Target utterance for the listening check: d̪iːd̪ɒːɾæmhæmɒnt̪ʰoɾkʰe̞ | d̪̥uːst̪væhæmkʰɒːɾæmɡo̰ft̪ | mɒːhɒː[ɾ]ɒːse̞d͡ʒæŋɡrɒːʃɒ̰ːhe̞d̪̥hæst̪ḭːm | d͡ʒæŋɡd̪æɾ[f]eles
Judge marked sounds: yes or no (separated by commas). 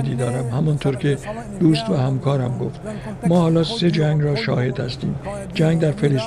no, yes